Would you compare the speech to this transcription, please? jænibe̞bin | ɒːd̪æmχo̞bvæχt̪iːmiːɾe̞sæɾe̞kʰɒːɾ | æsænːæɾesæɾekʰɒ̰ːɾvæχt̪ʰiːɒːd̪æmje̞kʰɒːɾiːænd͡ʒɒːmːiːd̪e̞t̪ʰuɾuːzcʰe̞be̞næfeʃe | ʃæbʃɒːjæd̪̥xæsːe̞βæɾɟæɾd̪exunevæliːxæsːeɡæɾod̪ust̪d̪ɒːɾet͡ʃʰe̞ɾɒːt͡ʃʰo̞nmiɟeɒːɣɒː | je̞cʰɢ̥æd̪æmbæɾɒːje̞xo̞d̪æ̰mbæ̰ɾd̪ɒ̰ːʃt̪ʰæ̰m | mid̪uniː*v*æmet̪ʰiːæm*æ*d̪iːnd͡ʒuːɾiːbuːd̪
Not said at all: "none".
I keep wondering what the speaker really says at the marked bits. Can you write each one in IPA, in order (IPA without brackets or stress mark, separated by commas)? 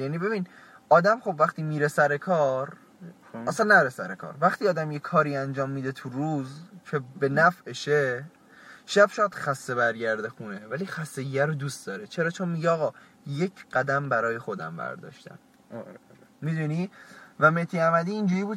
v, æ